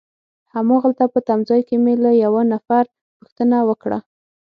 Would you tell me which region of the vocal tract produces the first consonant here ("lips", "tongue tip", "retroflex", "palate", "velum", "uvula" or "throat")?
throat